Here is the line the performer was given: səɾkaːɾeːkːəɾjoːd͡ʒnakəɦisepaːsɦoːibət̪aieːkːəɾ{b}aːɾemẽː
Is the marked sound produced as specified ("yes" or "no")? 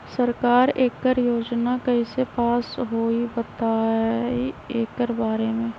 yes